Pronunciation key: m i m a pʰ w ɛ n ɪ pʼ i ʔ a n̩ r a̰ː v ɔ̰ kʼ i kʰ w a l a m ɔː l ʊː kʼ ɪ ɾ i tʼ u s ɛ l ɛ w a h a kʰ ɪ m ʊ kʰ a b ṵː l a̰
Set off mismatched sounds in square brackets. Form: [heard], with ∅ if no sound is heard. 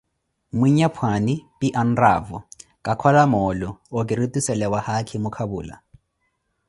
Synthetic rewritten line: m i [ɲ] a pʰ w [a] n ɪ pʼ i ʔ a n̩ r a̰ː v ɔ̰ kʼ [a] kʰ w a l a m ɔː l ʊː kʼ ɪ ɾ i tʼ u s ɛ l ɛ w a h a kʰ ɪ m ʊ kʰ a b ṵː l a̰